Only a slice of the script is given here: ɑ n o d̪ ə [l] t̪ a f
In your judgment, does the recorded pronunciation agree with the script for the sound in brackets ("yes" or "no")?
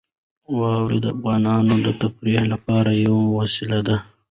no